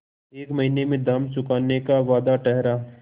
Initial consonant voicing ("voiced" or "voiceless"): voiceless